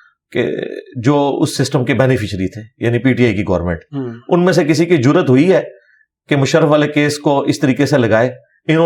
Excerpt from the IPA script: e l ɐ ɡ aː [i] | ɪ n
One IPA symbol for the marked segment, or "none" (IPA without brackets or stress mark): e